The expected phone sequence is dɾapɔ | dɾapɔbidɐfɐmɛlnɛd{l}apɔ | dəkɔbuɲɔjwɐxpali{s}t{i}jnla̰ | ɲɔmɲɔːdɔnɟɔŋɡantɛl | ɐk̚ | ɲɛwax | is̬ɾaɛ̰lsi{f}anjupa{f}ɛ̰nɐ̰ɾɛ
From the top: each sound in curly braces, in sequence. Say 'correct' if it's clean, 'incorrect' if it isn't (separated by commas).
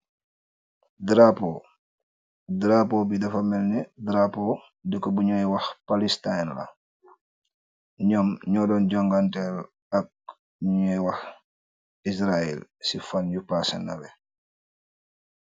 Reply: incorrect, correct, incorrect, correct, incorrect